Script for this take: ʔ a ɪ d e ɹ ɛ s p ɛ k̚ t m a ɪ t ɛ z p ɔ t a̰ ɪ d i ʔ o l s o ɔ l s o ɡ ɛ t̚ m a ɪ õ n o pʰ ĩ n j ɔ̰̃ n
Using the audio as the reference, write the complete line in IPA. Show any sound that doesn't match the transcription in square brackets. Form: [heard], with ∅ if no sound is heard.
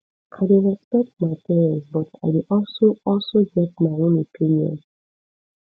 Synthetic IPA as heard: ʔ a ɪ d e ɹ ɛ s p ɛ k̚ t m a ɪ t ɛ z [b] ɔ t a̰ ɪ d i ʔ [ɔ] l s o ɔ l s o ɡ ɛ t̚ m a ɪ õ n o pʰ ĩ n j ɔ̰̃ n

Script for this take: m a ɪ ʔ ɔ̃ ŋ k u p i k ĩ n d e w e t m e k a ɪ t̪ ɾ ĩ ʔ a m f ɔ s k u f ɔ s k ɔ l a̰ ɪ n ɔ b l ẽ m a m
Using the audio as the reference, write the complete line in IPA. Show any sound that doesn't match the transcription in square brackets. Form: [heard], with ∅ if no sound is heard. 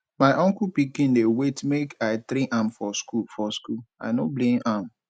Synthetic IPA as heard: m a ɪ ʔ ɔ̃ ŋ k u p i k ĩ n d e w e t m e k a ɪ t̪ ɾ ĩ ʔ a m f ɔ s k u f ɔ s k [u] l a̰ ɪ n [o] b l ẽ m a m

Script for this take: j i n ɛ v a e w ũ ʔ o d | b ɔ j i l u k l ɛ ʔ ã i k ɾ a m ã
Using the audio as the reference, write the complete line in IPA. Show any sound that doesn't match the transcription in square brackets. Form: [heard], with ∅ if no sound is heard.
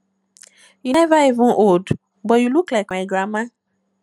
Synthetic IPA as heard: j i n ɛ v a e [v] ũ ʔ o d | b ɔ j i l u k l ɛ [k] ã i [ɡ] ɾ a m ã

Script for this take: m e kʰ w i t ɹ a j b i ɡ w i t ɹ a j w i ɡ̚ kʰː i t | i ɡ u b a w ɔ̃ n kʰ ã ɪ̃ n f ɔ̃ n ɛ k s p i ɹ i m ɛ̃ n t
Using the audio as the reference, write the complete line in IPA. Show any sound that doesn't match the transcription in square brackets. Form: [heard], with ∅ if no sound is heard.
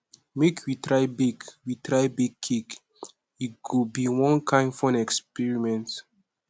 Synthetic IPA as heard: m e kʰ w i t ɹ a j b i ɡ w i t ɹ a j [b] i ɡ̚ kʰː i [k] | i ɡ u b [i] w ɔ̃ n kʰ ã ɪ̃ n f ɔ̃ n ɛ k s p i ɹ i m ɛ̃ n t

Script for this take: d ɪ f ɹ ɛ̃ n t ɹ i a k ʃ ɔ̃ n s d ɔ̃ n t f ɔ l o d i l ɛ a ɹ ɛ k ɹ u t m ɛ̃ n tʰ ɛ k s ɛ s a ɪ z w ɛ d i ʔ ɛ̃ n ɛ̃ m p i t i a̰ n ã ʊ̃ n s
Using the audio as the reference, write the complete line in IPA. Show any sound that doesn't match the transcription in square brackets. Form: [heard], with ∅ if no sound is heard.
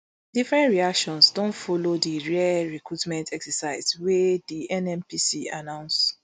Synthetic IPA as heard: d [i] f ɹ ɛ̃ n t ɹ i a k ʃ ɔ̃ n s d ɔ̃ n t f ɔ l o d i [ɹ] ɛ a ɹ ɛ k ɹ u t m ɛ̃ n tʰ ɛ k s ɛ s a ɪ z w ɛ d i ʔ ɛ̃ n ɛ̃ m p i [s] i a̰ n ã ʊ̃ n s

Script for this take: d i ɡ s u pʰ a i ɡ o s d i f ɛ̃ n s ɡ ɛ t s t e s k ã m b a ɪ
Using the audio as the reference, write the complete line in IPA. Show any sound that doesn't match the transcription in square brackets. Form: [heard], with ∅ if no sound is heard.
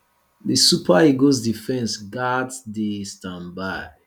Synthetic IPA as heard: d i [∅] s u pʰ a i ɡ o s d i f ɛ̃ n s ɡ [a] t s [d] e s [t] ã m b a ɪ

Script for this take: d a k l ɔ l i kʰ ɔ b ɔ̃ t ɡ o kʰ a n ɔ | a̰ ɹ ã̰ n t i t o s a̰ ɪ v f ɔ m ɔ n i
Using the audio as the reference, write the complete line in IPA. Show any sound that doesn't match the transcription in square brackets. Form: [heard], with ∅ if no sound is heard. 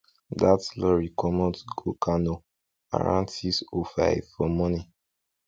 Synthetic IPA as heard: d a [t] l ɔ [ɹ] i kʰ ɔ [m] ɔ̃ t ɡ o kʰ a n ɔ | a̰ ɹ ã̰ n t i [s] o [f] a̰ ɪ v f ɔ m ɔ n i

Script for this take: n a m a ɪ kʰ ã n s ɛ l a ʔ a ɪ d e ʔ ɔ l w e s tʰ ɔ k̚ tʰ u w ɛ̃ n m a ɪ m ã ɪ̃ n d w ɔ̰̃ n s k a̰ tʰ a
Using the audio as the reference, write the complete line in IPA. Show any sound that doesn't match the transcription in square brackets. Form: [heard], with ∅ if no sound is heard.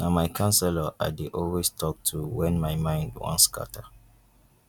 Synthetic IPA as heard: n a m a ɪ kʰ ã n s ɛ l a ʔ a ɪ d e ʔ ɔ l w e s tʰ ɔ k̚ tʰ u w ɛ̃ n m a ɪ m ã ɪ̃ n d w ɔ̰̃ n s k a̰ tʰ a

